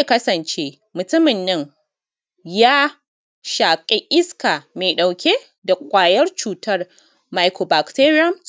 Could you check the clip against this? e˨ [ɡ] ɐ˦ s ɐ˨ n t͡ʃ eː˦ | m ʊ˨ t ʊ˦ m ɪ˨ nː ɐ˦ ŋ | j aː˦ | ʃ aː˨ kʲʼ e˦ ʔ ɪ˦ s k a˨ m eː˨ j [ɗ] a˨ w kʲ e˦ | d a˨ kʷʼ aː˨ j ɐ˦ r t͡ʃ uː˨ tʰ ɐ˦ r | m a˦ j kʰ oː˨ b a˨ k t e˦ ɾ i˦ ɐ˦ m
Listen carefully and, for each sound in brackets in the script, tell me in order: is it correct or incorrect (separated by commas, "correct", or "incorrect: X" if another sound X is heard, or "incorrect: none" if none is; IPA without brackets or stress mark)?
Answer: incorrect: k, correct